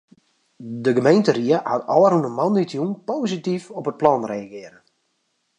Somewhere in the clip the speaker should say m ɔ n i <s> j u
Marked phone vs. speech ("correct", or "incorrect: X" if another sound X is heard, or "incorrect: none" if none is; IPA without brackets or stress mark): incorrect: t